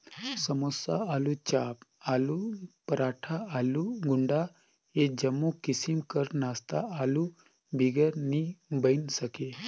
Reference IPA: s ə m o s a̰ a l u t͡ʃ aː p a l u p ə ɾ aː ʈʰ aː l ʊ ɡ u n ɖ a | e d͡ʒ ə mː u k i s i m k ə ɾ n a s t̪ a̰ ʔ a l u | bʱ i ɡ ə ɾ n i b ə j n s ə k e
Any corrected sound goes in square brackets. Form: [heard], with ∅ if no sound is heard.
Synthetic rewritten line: s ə m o s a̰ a l u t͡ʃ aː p a l u p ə ɾ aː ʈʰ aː l [u] ɡ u [ɳ] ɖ a | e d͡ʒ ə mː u k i s i m k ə ɾ n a s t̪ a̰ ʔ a l u | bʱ i ɡ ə ɾ n i b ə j n s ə k e

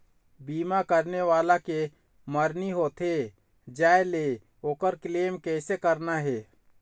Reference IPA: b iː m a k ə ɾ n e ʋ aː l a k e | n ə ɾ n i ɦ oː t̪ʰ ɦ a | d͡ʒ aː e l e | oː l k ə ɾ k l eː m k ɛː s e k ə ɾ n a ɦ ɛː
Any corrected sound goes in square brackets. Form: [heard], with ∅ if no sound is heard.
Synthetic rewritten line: b iː m a k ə ɾ n e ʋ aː l a k e | [m] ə ɾ n i ɦ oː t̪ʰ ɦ [e] | d͡ʒ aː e l e | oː [∅] k ə ɾ k l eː m k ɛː s e k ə ɾ n a ɦ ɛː

